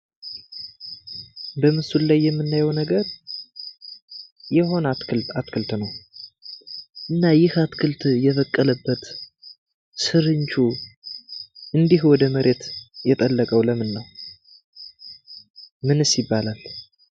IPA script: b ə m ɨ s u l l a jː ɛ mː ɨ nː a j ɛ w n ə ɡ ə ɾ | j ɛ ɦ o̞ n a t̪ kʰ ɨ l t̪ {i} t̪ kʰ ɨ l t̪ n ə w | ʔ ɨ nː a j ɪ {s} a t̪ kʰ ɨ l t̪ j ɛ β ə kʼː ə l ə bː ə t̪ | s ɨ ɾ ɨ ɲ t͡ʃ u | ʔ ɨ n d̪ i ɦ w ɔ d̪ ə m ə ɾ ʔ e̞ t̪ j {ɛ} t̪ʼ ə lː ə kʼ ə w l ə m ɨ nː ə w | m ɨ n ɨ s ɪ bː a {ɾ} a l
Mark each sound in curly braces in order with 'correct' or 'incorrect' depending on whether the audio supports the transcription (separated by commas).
incorrect, incorrect, correct, incorrect